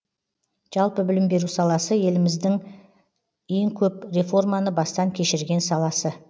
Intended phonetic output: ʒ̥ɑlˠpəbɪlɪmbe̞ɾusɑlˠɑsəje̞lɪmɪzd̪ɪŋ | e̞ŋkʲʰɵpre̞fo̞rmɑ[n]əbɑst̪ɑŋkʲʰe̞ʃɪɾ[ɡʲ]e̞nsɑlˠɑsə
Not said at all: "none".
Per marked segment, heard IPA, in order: n, ɡʲ

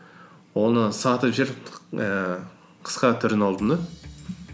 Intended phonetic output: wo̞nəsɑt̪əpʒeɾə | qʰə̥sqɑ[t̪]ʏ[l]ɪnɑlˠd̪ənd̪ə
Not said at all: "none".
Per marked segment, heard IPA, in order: t̪ʰ, ɾ

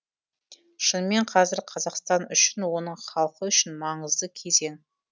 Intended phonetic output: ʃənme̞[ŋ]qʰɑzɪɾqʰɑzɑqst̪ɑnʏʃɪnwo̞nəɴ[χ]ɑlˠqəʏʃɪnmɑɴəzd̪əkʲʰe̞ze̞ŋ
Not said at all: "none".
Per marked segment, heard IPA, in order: ɴ, χ

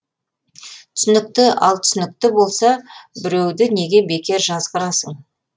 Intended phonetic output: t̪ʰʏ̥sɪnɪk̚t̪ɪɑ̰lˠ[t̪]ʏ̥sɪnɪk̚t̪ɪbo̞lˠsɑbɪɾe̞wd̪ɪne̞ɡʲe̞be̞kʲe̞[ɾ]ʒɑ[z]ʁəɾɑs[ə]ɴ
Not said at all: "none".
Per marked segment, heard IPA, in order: t̪ʰ, ɾ, z, ə

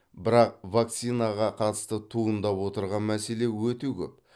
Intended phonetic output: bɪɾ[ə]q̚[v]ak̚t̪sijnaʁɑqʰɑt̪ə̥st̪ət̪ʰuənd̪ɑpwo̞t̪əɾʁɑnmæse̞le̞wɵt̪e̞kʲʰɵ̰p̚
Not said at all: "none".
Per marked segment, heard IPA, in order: ɑ, v

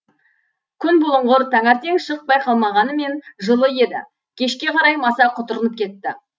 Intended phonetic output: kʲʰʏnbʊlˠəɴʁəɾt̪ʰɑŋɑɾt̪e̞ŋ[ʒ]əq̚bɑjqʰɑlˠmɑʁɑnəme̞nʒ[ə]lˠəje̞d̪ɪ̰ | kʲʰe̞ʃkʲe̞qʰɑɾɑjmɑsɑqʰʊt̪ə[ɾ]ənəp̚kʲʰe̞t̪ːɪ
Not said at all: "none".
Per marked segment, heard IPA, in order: ʃ, ə, ɾ

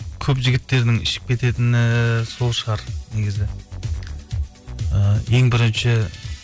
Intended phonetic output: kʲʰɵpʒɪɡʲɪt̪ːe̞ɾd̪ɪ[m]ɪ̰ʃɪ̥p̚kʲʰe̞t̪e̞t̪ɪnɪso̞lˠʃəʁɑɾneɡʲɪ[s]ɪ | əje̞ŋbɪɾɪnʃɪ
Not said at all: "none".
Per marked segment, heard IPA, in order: ŋ, z

